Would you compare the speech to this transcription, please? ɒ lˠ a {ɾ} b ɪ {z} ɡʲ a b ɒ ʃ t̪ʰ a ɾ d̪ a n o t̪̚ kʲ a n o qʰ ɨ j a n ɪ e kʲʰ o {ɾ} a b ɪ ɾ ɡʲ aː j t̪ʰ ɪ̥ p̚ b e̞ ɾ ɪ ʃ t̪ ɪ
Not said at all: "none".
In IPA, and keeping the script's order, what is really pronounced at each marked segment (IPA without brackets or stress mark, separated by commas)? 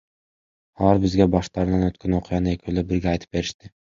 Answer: ɾ, z, l